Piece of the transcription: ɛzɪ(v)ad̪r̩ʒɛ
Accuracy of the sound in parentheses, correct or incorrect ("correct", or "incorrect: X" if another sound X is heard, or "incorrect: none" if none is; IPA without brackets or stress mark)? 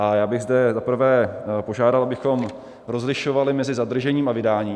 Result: incorrect: z